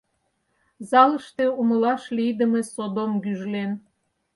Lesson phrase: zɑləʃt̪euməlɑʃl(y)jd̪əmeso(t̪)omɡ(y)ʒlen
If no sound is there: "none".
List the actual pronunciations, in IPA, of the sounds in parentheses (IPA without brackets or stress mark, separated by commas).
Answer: i, d̪, y